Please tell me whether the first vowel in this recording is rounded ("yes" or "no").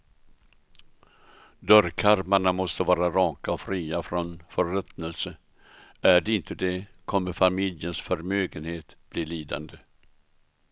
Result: yes